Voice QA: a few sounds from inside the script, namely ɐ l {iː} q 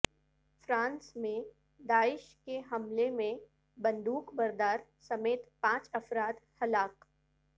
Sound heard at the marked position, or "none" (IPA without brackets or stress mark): aː